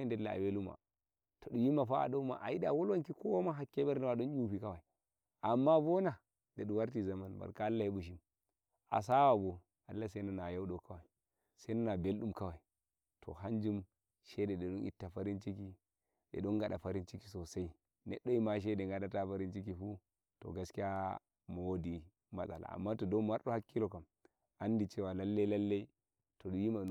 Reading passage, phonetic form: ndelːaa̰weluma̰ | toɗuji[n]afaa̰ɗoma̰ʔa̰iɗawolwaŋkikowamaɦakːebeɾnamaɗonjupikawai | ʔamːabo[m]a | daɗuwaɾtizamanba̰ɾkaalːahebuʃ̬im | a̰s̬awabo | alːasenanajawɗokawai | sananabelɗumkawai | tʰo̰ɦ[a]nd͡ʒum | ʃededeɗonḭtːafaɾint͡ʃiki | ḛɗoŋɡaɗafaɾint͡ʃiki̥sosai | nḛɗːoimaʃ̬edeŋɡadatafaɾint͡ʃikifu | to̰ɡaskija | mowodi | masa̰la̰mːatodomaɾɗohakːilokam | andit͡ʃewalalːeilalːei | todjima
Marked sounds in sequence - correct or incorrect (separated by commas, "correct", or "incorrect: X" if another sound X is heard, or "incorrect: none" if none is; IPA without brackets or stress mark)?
incorrect: m, incorrect: n, correct